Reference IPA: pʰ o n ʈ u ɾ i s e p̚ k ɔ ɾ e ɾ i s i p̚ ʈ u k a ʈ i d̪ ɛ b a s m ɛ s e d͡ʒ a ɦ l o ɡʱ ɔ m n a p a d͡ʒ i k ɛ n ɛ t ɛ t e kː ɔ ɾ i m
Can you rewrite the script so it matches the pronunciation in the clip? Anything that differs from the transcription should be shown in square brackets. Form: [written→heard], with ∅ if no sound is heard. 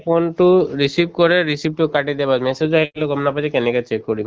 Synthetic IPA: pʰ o n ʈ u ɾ i s [e→i] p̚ k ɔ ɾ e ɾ i s i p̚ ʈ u k a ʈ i d̪ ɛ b a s m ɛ s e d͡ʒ a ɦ l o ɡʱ ɔ m n a p a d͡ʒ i k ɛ n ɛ [t→k] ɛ [t→t͡ʃ] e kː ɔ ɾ i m